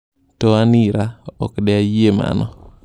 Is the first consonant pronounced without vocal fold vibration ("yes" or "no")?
yes